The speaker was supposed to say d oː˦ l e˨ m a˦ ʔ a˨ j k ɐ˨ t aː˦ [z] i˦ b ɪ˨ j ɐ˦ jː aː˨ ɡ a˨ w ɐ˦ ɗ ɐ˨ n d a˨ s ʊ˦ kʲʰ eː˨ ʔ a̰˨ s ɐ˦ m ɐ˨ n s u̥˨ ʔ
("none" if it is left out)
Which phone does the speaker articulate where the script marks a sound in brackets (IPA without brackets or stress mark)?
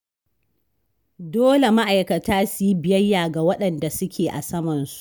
s